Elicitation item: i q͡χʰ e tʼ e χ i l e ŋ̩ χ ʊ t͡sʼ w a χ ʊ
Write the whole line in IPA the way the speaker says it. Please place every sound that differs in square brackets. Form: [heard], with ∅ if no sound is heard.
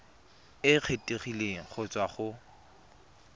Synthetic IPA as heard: [ɪ] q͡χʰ e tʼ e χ i l e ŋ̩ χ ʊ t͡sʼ w a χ ʊ